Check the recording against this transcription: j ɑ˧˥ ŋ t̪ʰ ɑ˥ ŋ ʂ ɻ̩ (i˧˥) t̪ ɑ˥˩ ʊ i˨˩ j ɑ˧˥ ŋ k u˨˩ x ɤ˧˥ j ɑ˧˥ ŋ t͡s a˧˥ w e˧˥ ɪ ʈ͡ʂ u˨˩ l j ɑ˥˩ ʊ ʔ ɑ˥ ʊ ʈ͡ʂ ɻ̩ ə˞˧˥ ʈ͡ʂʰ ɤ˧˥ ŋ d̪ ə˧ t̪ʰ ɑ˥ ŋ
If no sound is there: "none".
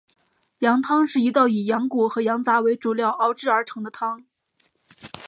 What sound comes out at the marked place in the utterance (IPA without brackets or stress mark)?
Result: i˧˥